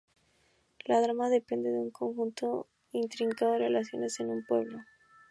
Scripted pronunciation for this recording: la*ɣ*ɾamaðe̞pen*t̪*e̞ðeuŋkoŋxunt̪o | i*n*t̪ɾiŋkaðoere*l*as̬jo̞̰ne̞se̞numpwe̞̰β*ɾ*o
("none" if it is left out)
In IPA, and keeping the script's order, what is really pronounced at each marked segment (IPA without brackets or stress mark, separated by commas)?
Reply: ð, d̪, n, l, l